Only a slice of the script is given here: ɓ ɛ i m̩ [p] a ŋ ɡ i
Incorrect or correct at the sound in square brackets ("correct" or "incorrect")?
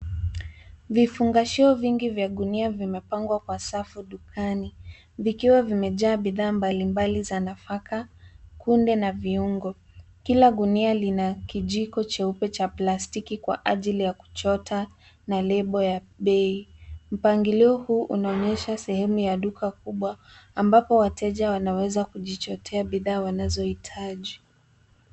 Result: correct